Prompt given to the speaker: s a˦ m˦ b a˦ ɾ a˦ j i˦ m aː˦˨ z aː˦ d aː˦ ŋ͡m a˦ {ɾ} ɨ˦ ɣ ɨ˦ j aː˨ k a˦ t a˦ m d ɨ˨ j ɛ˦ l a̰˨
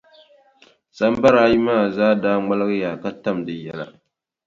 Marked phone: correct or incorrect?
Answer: incorrect